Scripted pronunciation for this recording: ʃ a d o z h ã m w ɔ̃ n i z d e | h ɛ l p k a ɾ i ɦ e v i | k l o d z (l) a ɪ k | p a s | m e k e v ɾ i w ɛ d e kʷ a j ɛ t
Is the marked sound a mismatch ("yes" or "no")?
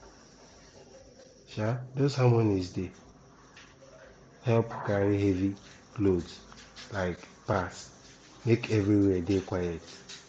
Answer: no